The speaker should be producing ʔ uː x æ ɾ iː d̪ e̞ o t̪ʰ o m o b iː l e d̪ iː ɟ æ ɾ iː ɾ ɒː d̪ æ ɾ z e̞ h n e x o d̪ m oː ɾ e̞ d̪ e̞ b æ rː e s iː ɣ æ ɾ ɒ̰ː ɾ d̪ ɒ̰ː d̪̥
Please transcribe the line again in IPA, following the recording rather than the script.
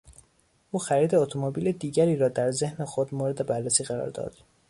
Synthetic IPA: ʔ uː x æ ɾ iː d̪ e̞ o t̪ʰ o m o b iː l e d̪ iː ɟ æ ɾ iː ɾ ɒː d̪ æ ɾ z e̞ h n e x o d̪ m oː ɾ e̞ d̪ e̞ b æ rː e s iː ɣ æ ɾ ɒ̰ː ɾ d̪ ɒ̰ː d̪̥